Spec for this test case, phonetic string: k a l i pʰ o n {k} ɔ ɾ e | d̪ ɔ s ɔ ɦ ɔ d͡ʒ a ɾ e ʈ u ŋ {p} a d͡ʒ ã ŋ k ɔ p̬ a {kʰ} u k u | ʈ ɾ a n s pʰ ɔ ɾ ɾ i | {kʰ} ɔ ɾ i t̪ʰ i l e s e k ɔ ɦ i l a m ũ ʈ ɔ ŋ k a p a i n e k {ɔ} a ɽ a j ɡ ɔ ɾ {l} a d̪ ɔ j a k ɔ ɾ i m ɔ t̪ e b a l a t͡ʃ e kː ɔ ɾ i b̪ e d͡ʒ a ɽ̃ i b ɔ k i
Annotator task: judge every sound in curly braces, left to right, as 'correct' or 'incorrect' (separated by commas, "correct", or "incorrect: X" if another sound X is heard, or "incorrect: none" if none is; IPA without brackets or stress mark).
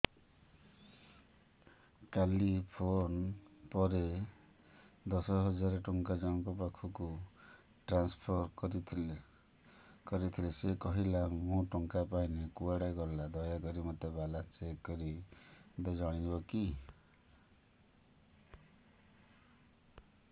incorrect: p, incorrect: k, correct, incorrect: k, incorrect: u, correct